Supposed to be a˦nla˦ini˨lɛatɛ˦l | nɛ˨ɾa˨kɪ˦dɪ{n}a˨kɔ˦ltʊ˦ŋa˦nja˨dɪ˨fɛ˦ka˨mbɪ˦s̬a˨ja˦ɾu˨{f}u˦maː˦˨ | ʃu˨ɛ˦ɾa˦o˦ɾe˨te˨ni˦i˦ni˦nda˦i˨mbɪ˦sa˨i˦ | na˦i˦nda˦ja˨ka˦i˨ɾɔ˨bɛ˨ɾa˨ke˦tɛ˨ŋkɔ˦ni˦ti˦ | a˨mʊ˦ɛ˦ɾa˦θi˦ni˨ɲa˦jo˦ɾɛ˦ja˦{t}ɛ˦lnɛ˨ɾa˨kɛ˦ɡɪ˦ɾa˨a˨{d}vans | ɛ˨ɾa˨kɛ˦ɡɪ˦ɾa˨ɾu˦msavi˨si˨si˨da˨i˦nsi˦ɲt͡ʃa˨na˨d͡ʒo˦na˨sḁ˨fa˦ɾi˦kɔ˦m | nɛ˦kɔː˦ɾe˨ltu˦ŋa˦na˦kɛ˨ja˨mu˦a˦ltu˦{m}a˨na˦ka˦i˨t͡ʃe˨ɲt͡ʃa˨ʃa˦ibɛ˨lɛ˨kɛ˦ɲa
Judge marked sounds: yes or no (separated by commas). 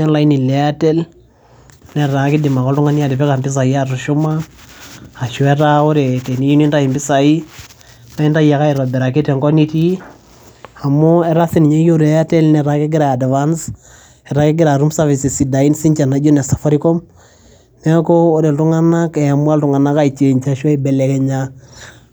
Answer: no, no, yes, yes, no